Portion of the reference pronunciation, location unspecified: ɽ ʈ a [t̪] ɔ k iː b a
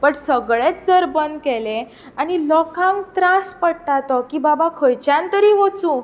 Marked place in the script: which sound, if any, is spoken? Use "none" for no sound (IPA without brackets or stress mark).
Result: t̪